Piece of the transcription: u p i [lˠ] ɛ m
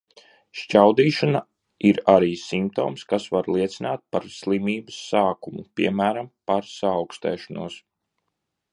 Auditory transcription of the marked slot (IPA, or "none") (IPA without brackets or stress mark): none